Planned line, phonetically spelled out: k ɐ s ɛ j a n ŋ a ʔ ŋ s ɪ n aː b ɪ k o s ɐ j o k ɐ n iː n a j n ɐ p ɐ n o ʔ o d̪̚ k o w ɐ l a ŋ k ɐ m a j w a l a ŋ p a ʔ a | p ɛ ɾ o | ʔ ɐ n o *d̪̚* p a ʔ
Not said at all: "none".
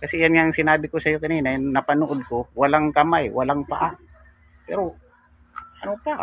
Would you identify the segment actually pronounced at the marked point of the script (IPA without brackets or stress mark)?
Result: none